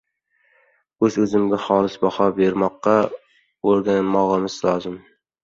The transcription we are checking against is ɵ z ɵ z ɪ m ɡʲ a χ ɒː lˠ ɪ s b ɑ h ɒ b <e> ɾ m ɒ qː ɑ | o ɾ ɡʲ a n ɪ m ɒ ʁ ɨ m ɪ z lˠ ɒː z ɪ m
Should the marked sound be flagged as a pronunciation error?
no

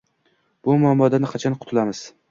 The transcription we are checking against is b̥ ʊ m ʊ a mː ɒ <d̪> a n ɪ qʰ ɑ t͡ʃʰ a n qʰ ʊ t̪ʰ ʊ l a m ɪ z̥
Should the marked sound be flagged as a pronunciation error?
no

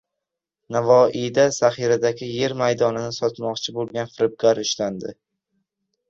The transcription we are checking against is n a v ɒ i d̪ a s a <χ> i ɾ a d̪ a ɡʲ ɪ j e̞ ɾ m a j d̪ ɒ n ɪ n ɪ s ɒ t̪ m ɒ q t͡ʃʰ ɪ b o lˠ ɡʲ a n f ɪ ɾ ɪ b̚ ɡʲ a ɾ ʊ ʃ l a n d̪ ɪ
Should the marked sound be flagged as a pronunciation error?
no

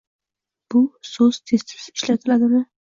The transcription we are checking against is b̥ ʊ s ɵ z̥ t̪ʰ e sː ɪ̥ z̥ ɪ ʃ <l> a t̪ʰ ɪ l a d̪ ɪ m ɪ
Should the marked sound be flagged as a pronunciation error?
no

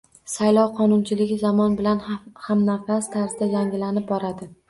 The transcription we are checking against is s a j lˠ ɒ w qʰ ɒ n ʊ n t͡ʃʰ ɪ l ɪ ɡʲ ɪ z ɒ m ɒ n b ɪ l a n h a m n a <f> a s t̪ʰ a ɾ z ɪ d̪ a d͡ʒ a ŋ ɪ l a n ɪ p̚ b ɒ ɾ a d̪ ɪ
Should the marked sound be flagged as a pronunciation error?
no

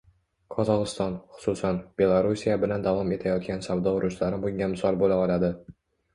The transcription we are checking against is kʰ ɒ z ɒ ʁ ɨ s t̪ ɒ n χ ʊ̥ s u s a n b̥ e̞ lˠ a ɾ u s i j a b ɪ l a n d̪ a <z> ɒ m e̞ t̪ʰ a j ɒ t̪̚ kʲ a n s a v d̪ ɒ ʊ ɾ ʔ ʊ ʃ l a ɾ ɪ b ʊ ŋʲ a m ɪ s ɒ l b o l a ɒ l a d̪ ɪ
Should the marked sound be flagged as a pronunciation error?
yes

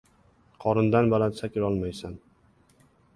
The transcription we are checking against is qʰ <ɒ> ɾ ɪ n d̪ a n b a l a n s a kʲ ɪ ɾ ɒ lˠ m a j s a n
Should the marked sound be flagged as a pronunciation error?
no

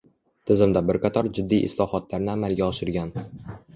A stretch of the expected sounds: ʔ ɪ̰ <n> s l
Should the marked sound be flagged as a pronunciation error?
yes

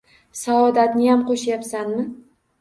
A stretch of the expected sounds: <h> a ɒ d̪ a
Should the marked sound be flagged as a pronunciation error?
yes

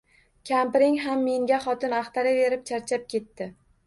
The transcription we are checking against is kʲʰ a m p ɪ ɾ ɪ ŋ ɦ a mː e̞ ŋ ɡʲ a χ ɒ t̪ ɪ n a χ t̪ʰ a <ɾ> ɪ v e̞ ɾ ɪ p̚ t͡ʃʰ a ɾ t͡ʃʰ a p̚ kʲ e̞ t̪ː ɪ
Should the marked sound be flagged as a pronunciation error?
no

